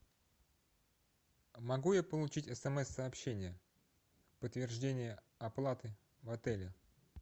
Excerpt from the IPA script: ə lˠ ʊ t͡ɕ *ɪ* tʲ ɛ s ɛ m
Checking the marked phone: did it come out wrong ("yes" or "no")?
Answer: yes